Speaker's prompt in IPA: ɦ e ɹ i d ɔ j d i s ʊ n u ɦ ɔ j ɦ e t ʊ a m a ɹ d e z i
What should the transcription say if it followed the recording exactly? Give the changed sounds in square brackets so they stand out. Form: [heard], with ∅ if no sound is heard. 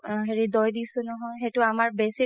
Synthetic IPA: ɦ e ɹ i d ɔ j d i s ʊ n [ɔ] ɦ ɔ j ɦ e t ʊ a m a ɹ [b] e [s] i